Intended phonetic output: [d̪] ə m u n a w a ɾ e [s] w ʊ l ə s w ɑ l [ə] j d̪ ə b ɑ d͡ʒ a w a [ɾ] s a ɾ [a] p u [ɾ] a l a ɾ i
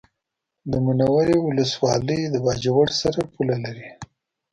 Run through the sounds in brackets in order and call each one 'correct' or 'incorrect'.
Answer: correct, incorrect: none, correct, incorrect: ɽ, correct, incorrect: l

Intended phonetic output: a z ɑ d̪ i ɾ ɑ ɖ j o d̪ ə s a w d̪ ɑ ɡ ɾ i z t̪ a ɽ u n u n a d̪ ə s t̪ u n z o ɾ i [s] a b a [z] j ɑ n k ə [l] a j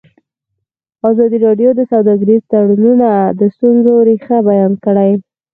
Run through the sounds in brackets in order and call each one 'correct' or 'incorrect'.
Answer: incorrect: x, incorrect: none, incorrect: ɽ

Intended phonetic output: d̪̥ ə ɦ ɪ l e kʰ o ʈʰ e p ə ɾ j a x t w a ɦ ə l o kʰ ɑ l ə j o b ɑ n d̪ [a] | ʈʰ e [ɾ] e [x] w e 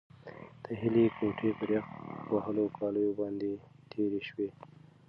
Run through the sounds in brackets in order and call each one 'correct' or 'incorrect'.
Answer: incorrect: e, correct, incorrect: ʃ

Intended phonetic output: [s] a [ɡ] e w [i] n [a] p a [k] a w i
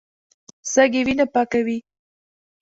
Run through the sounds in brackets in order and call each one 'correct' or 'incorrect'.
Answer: correct, correct, correct, correct, correct

